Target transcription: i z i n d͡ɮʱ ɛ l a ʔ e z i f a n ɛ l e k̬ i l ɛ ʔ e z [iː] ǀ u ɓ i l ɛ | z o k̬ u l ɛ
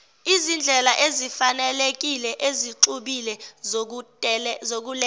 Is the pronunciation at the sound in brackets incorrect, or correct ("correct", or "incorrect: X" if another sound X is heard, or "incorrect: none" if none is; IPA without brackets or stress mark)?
incorrect: i